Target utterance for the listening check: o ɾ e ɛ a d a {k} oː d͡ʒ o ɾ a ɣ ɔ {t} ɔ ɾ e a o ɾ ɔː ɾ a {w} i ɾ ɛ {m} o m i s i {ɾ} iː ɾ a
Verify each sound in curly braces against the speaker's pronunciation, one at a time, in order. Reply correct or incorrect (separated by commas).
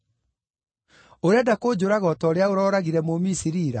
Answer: correct, correct, incorrect, correct, correct